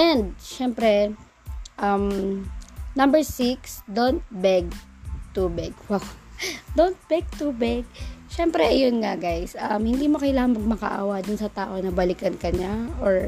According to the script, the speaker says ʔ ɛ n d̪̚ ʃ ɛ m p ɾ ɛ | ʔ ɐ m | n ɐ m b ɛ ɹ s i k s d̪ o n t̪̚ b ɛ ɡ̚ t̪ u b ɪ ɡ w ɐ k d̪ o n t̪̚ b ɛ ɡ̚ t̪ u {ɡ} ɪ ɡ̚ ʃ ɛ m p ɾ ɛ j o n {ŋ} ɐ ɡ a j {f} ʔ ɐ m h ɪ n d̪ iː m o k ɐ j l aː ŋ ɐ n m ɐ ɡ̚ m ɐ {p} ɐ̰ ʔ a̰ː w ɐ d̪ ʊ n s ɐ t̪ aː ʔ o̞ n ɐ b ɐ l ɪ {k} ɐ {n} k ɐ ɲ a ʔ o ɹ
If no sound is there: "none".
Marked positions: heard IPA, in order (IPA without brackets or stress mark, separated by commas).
b, ŋ, s, k, k, n